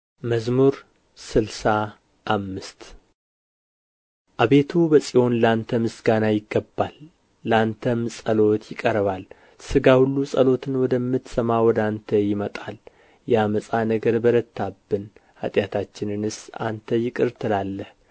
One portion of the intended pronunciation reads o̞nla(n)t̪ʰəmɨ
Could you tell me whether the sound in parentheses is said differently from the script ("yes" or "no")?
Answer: no